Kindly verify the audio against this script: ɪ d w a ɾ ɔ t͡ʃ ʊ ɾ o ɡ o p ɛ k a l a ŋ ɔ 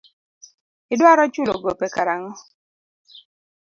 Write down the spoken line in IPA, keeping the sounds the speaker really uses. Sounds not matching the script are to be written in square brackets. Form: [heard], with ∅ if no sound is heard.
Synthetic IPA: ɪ d w a ɾ ɔ t͡ʃ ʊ [l] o ɡ o p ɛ k a [ɾ] a ŋ ɔ